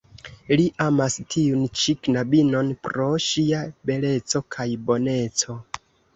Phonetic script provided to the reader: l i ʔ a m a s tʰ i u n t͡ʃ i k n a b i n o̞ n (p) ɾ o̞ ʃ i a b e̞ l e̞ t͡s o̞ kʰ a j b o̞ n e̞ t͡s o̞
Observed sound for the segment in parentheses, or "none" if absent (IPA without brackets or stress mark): p